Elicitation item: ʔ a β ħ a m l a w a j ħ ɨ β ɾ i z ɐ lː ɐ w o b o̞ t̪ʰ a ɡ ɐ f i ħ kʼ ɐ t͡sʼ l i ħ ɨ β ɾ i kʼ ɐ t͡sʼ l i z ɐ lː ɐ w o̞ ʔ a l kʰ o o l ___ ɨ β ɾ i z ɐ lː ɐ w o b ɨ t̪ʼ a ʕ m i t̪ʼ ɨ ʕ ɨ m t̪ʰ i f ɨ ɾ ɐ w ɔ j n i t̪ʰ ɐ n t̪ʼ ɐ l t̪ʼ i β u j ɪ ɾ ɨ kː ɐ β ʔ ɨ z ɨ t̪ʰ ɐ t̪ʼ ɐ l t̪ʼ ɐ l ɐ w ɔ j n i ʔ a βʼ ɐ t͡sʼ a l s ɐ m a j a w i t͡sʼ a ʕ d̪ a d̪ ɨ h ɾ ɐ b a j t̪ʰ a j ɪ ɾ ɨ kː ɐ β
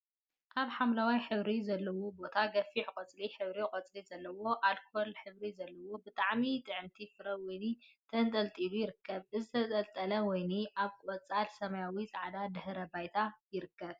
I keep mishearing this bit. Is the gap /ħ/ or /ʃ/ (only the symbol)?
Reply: ħ